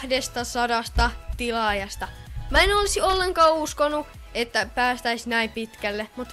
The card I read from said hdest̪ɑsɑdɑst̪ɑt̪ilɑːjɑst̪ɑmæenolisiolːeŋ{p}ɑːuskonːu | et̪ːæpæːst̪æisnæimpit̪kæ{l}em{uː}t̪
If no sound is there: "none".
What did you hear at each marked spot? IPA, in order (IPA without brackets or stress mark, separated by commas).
k, lː, u